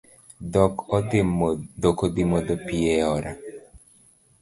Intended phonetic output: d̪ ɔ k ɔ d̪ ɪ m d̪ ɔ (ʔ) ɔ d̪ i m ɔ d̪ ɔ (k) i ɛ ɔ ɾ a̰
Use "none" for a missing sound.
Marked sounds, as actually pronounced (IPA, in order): k, p

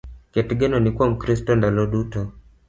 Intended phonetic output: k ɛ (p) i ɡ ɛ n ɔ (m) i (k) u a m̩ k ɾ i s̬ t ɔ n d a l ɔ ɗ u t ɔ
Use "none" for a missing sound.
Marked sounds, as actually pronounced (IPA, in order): t, n, k

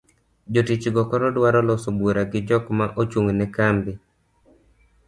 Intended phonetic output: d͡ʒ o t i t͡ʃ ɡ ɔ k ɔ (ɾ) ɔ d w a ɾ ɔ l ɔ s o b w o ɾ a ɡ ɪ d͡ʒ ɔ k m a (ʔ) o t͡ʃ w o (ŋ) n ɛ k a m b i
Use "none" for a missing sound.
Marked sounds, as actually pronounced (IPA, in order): ɾ, ʔ, ŋ

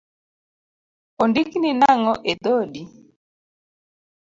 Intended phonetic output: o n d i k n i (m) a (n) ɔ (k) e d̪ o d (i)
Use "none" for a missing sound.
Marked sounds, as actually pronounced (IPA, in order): n, ŋ, ʔ, i

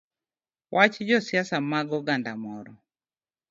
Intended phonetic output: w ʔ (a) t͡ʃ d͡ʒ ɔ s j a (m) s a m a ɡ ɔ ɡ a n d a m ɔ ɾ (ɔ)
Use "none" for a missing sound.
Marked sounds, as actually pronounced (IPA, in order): a, none, ɔ

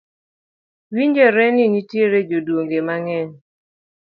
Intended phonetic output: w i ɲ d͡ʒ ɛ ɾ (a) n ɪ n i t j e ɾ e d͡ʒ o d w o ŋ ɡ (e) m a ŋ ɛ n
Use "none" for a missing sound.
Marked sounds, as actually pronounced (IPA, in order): ɛ, e

